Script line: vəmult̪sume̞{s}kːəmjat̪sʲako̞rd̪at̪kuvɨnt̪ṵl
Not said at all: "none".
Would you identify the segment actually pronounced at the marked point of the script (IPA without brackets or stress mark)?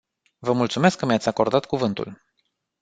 s